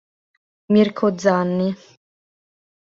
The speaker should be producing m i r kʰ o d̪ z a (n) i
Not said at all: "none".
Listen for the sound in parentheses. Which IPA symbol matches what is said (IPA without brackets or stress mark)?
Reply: nː